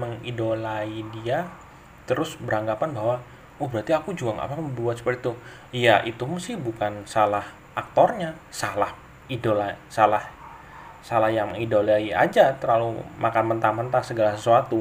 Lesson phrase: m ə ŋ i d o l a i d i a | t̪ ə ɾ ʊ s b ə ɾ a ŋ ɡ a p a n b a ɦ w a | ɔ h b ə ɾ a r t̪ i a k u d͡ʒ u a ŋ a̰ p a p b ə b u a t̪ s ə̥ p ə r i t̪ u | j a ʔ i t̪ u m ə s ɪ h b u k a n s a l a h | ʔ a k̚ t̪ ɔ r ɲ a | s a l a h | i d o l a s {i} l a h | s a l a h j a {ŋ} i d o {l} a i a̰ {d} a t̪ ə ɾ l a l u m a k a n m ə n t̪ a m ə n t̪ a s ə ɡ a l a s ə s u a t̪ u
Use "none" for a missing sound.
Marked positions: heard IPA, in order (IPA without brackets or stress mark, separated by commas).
a, ŋ, l, d͡ʒ